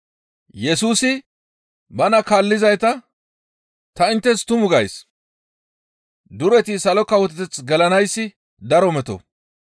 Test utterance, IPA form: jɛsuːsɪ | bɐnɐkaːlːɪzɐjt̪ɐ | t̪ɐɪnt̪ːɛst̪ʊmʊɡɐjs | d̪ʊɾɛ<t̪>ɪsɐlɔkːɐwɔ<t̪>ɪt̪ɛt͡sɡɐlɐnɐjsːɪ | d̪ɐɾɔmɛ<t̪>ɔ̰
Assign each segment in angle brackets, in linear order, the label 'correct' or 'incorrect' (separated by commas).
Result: correct, correct, correct